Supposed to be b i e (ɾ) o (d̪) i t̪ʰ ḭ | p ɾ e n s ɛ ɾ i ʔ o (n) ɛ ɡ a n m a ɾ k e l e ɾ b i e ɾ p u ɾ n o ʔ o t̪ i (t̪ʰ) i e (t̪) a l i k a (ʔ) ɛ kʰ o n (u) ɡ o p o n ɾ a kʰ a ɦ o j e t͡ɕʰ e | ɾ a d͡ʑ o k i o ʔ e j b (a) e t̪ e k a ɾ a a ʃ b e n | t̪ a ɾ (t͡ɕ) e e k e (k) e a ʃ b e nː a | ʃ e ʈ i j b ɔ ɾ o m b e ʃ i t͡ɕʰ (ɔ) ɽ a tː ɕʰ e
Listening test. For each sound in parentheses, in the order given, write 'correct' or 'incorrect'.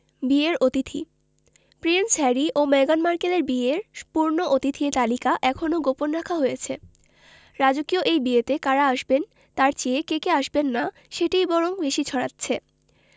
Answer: correct, incorrect, incorrect, correct, correct, correct, incorrect, incorrect, correct, correct, correct

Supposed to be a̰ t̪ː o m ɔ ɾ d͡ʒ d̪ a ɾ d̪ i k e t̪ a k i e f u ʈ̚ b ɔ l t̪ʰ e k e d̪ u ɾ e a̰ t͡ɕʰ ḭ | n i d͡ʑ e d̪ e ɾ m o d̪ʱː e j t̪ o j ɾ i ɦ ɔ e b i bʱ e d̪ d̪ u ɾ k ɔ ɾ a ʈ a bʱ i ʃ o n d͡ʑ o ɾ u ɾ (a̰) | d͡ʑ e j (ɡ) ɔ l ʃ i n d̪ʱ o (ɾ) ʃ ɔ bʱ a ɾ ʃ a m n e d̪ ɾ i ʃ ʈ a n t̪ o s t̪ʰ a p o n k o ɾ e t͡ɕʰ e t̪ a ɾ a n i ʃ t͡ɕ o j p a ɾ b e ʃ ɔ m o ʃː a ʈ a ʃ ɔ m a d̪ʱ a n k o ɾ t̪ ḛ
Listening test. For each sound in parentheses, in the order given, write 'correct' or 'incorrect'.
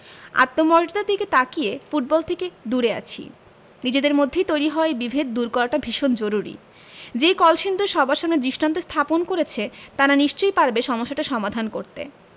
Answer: incorrect, incorrect, correct

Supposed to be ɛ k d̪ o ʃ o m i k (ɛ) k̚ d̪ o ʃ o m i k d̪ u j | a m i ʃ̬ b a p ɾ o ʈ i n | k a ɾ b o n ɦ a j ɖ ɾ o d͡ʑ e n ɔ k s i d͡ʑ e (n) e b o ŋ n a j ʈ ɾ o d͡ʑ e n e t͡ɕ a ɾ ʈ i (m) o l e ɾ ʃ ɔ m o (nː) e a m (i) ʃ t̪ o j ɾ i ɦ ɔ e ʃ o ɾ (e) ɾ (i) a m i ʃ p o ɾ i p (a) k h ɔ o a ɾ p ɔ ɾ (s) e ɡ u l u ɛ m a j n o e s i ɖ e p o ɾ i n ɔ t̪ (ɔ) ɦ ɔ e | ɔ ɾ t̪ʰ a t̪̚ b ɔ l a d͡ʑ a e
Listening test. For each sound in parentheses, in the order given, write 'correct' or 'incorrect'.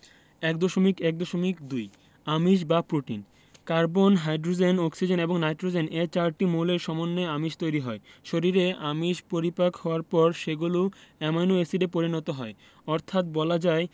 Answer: correct, correct, correct, correct, correct, incorrect, incorrect, correct, incorrect, incorrect

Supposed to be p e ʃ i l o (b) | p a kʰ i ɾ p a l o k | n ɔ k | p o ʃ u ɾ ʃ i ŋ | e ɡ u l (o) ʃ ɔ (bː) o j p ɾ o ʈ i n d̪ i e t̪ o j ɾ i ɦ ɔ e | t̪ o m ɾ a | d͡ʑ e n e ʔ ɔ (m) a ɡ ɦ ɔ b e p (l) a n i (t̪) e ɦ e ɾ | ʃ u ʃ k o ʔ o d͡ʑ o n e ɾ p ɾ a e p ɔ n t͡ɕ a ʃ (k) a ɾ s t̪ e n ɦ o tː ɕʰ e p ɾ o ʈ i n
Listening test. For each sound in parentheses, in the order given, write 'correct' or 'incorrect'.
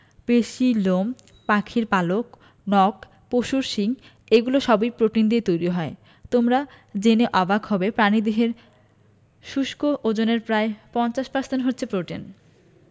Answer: incorrect, correct, incorrect, incorrect, incorrect, incorrect, incorrect

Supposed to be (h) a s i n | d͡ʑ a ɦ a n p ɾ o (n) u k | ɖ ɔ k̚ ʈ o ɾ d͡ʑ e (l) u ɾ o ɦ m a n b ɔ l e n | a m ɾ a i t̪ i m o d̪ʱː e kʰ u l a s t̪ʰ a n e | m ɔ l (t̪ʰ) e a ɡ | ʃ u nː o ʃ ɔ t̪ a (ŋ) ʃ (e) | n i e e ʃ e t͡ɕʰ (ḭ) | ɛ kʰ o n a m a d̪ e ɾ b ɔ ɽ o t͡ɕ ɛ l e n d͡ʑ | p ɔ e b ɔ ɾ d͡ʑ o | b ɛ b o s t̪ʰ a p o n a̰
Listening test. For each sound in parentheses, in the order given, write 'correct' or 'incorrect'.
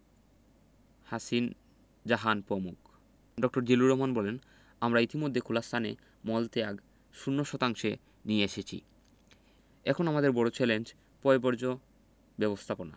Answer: correct, incorrect, correct, incorrect, correct, correct, correct

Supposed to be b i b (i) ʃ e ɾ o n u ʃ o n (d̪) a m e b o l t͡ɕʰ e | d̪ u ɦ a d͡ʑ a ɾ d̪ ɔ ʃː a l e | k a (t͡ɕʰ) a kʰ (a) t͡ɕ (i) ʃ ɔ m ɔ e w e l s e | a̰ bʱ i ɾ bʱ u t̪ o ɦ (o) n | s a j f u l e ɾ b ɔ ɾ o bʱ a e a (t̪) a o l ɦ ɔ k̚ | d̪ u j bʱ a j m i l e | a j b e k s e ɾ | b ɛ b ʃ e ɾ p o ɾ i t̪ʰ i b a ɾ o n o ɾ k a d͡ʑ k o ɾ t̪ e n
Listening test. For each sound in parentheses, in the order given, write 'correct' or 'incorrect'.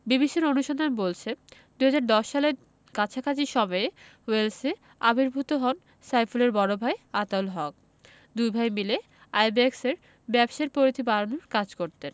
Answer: correct, correct, correct, correct, correct, incorrect, correct

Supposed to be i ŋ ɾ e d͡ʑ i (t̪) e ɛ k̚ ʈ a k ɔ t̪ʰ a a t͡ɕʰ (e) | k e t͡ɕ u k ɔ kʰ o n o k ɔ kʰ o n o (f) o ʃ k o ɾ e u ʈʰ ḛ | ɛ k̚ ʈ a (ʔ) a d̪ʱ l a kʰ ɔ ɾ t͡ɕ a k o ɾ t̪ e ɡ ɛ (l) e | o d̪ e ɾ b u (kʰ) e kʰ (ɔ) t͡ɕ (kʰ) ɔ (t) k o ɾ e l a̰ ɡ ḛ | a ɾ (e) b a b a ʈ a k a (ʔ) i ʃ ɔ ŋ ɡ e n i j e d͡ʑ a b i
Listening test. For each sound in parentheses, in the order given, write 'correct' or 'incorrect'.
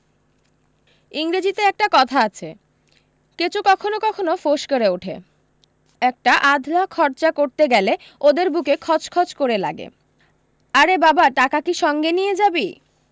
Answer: correct, correct, correct, correct, correct, incorrect, correct, correct, incorrect, correct, incorrect

